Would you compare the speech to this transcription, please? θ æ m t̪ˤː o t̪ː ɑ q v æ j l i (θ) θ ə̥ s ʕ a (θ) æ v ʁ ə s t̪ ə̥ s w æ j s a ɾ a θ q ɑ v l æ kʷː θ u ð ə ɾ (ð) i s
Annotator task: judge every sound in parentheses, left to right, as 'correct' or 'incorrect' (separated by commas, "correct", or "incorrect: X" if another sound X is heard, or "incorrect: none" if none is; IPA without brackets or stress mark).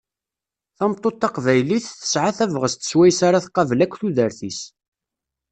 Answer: correct, correct, incorrect: θ